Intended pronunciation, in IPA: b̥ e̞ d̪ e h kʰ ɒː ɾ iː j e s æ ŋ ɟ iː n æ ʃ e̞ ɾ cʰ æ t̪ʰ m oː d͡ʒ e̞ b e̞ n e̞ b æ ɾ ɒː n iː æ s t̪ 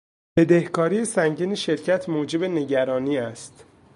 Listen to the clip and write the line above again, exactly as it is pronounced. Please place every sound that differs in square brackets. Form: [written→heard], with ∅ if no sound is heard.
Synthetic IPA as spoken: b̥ e̞ d̪ e h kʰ ɒː ɾ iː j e s æ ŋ ɟ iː n [æ→e] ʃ e̞ ɾ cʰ æ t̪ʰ m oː d͡ʒ e̞ b e̞ n e̞ [b→ɟ] æ ɾ ɒː n iː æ s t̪